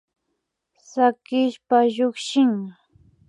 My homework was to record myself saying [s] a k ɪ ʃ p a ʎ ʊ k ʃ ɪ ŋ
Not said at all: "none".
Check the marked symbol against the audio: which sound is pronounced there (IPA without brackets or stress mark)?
s